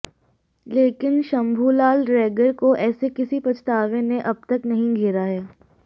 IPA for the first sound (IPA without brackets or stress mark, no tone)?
l